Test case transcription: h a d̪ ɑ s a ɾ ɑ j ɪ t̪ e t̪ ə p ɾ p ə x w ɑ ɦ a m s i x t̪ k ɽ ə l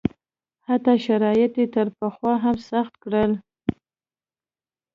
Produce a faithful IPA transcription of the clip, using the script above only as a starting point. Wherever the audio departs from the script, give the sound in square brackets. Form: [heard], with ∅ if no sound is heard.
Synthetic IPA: h a [t̪] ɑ [ʃ] a ɾ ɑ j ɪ t̪ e t̪ ə [∅] ɾ p ə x w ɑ ɦ a m s [a] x t̪ k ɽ ə l